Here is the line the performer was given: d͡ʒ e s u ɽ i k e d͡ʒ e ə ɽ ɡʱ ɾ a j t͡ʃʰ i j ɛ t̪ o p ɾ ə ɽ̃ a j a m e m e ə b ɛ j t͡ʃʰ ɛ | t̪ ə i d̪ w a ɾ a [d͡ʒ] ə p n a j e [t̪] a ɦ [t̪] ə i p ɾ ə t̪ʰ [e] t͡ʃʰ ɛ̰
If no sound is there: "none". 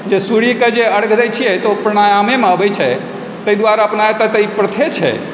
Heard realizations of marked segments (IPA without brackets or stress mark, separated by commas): none, t̪, t̪, e